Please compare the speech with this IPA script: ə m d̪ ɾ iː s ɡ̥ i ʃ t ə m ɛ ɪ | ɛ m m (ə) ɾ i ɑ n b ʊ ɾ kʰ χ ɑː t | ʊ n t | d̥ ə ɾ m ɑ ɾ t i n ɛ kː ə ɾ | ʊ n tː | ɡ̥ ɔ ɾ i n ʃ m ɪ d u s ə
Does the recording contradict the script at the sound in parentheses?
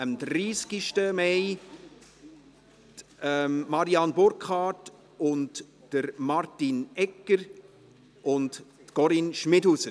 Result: yes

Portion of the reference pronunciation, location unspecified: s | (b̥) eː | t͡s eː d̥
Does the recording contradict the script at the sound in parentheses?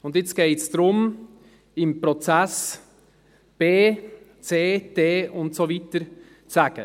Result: no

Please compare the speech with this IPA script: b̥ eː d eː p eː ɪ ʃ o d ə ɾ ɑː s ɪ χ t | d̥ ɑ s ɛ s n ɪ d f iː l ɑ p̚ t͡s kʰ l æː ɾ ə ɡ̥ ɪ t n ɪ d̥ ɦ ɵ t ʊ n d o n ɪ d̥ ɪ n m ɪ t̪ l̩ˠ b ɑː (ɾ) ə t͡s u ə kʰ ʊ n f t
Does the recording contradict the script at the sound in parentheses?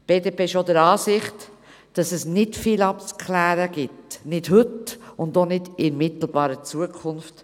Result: no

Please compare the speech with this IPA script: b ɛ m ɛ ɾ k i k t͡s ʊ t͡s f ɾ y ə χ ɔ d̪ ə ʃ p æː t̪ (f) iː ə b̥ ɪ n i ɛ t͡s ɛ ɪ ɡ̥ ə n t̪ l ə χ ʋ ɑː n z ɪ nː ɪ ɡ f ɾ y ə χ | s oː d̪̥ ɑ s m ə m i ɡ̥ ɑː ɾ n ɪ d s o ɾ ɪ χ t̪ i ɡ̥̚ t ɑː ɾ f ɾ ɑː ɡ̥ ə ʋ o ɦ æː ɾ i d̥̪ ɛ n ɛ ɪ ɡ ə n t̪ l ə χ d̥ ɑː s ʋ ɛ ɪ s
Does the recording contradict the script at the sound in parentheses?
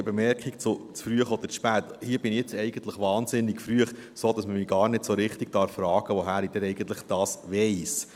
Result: yes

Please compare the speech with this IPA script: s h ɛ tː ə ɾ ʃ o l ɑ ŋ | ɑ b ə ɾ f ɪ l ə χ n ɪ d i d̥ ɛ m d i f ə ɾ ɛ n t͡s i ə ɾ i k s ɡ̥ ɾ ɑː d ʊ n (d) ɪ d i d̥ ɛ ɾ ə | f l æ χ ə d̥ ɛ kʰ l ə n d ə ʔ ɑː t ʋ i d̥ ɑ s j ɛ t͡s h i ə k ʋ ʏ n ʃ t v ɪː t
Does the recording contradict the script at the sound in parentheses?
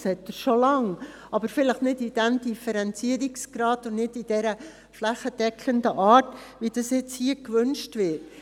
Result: yes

